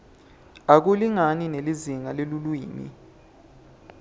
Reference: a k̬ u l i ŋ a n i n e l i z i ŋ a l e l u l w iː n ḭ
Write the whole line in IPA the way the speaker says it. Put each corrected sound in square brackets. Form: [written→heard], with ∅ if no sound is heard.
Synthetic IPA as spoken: a k̬ u l i ŋ a n i n e l i z i ŋ a l e l u l w iː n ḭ